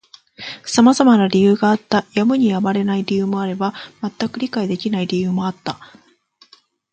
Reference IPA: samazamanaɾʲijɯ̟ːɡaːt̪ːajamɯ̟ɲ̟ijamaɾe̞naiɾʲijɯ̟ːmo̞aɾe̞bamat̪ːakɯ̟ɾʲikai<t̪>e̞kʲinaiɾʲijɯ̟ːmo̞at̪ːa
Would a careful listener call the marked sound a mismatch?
yes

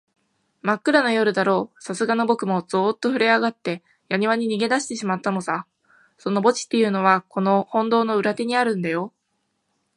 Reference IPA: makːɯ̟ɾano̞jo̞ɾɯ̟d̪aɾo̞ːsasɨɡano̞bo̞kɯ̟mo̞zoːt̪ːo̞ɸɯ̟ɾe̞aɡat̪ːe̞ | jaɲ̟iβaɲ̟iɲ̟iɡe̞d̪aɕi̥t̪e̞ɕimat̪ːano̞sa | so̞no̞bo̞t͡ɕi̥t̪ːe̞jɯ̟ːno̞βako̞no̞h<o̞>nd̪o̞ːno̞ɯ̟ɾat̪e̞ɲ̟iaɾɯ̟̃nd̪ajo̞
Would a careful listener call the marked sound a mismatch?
yes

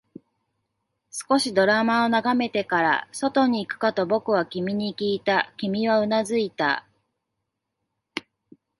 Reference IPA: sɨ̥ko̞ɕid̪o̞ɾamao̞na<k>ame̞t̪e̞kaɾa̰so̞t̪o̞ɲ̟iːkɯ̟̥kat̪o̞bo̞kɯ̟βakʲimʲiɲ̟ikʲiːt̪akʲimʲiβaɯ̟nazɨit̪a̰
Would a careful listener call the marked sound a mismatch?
yes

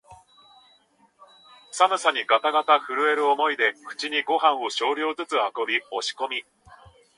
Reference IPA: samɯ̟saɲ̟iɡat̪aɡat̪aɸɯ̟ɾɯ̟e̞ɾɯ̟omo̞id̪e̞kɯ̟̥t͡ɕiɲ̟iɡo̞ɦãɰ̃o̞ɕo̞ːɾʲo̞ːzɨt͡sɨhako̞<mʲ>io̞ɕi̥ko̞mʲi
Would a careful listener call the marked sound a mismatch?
yes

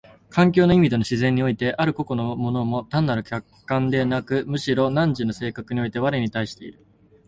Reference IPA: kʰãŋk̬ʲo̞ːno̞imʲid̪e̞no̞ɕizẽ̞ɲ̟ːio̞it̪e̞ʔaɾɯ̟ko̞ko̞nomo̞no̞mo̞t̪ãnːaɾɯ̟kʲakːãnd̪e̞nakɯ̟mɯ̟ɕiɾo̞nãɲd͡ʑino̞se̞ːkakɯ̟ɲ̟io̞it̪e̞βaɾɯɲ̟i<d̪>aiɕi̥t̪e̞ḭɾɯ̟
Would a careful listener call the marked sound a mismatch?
yes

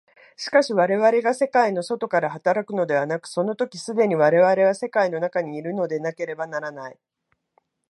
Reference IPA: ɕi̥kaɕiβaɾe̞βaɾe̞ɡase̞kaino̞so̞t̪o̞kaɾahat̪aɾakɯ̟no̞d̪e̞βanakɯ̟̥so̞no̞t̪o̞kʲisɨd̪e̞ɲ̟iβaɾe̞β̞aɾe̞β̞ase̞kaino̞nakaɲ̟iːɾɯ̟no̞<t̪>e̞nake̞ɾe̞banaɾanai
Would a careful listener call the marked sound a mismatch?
yes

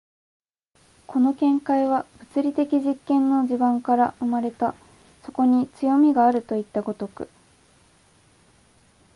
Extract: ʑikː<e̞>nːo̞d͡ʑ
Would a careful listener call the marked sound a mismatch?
yes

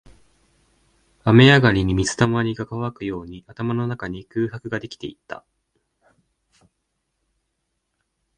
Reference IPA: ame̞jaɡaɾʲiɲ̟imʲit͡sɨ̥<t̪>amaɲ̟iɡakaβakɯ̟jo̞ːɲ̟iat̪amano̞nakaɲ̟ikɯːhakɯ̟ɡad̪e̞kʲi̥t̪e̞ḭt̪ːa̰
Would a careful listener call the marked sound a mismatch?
no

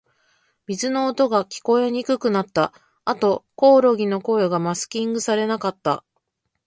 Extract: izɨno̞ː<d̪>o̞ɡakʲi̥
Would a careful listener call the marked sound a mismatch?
yes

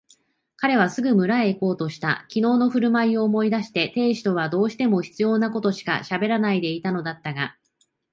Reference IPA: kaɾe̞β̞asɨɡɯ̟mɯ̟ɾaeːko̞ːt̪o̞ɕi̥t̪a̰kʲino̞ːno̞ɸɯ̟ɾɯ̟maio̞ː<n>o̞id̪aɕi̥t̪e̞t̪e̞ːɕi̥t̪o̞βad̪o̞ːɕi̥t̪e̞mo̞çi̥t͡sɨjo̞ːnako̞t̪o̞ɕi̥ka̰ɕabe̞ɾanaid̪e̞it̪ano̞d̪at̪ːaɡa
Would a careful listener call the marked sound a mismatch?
yes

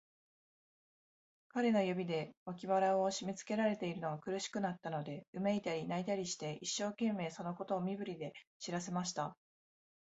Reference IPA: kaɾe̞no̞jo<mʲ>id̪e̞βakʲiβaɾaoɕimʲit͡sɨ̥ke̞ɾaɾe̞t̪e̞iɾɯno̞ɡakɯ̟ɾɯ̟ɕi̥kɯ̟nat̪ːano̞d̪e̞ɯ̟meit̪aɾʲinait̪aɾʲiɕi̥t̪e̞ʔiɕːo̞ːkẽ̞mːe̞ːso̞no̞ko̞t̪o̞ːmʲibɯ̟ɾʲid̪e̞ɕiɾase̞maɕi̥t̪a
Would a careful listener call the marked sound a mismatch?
yes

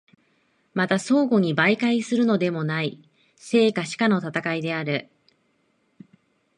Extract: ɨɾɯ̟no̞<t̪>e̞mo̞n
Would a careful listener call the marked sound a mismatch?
yes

